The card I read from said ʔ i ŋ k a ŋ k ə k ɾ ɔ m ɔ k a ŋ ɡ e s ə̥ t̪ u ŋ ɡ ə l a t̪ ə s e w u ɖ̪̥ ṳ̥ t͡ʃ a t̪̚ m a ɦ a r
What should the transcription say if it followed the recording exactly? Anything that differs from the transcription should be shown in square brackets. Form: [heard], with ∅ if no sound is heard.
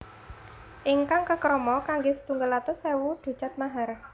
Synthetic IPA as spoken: ʔ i ŋ k a ŋ k ə k ɾ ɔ m ɔ k a ŋ ɡ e s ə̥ t̪ u ŋ ɡ ə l a t̪ ə s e w u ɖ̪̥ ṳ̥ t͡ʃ a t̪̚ m a ɦ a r